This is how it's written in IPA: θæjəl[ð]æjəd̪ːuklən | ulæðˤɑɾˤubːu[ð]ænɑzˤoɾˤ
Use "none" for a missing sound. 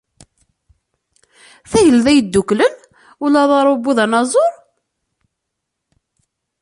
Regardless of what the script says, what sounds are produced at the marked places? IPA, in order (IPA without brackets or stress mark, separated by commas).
ð, ð